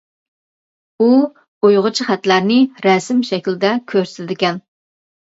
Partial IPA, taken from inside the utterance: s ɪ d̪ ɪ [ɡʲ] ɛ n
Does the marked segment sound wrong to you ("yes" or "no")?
yes